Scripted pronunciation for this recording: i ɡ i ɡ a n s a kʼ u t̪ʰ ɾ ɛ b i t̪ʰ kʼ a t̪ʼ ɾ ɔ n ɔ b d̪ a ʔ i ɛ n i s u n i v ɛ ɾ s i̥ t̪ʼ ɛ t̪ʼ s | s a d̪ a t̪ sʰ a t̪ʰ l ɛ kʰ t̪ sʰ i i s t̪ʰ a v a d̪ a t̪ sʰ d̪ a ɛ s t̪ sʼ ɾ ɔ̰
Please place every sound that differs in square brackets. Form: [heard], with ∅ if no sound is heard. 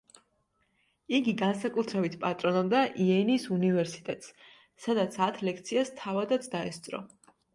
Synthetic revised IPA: i ɡ i ɡ a n s a kʼ u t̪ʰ ɾ ɛ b i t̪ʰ [pʼ] a t̪ʼ ɾ ɔ n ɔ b d̪ a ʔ i ɛ n i s u n i v ɛ ɾ s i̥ t̪ʼ ɛ t̪ʼ s | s a d̪ a t̪ sʰ a t̪ʰ l ɛ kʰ t̪ sʰ i [a] s t̪ʰ a v a d̪ a t̪ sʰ d̪ a ɛ s t̪ sʼ ɾ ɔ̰